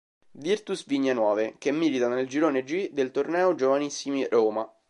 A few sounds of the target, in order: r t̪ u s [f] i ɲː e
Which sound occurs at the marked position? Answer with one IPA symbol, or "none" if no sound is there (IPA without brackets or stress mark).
v